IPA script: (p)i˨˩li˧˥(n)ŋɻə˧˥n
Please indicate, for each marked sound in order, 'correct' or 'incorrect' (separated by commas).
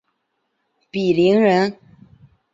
correct, incorrect